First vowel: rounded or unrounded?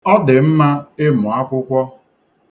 rounded